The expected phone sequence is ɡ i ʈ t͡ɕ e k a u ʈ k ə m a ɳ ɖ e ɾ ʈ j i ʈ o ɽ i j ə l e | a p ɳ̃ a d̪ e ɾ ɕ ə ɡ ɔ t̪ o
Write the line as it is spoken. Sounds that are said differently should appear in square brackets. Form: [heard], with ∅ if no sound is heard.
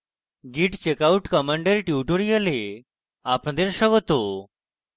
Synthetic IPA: ɡ i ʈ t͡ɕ e k a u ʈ k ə m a ɳ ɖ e ɾ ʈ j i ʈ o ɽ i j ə l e | a p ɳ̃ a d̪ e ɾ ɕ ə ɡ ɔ t̪ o